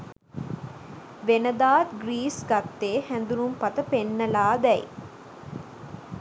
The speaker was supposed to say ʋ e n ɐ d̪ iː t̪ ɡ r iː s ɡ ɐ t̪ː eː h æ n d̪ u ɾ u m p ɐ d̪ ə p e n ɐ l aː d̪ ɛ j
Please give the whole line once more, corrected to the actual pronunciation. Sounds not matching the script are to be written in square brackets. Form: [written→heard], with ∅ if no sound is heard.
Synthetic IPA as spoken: ʋ e n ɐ d̪ [iː→aː] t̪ ɡ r iː s ɡ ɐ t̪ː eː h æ n d̪ u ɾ u m p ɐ [d̪→t̪] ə p e [n→nː] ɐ l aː d̪ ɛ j